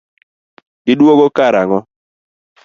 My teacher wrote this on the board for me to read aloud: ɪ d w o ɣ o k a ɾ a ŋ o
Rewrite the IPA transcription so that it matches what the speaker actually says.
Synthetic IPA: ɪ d w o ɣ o k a ɾ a ŋ ɔ